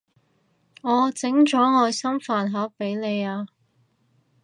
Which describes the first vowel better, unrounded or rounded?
rounded